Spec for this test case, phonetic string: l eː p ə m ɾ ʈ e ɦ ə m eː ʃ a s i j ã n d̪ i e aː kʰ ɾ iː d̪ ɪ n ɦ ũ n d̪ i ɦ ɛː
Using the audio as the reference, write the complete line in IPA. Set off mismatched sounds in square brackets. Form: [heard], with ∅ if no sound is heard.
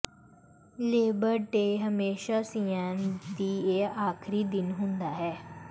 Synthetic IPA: l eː [b] ə [∅] ɾ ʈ e ɦ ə m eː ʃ a s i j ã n d̪ i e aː kʰ ɾ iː d̪ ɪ n ɦ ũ n d̪ [a] ɦ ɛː